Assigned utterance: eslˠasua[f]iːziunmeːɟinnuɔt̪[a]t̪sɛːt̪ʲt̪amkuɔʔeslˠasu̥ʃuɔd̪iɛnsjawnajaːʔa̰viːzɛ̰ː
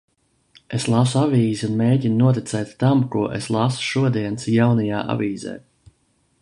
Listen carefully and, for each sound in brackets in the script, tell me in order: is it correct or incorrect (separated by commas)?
incorrect, incorrect